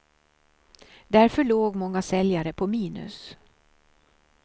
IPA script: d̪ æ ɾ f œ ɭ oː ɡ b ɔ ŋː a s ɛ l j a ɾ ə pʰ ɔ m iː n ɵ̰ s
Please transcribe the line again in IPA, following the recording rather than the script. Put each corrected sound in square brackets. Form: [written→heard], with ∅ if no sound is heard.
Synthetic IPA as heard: d̪ æ ɾ f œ ɭ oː ɡ [b→m] ɔ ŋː a s ɛ l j a ɾ ə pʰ ɔ m iː n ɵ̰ s